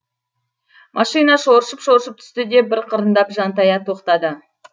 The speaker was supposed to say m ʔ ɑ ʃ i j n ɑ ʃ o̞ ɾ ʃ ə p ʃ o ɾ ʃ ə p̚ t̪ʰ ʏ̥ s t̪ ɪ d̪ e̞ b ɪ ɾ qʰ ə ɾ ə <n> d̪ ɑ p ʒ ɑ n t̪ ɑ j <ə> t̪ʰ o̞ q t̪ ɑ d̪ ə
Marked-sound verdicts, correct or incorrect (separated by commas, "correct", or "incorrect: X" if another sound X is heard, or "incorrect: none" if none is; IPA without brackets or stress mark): correct, incorrect: ɑ